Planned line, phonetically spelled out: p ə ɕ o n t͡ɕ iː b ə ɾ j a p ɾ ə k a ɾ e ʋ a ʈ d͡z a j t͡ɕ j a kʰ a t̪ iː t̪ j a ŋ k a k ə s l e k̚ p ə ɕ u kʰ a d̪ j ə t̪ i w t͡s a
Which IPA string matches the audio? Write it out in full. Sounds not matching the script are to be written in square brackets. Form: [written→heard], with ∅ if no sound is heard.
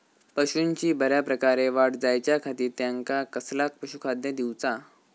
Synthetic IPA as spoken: p ə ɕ [o→u] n t͡ɕ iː b ə ɾ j a p ɾ ə k a ɾ e ʋ a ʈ d͡z a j t͡ɕ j a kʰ a t̪ iː t̪ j a ŋ k a k ə s l [e→a] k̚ p ə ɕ u kʰ a d̪ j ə [t̪→d̪] i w t͡s a